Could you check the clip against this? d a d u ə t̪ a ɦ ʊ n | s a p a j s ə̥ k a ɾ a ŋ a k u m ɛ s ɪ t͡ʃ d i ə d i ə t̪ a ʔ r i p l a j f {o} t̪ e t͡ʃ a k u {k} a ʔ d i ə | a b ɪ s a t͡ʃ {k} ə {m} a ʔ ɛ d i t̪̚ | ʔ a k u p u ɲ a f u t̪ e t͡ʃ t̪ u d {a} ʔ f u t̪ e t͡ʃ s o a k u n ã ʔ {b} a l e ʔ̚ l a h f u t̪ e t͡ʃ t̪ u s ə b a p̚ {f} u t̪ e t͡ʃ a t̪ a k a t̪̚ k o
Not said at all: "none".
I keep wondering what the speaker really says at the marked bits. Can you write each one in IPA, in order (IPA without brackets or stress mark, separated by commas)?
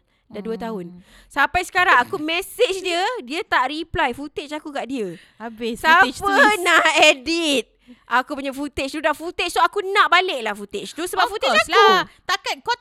u, k, p, n, a, b, f